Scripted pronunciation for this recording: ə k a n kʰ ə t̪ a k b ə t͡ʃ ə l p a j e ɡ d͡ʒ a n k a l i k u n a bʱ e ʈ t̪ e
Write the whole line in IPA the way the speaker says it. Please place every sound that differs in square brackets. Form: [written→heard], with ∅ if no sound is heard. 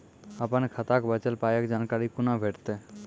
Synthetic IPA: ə [k→p] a n kʰ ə t̪ a k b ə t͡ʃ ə l p a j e [ɡ→k] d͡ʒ a n k a [l→ɾ] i k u n a bʱ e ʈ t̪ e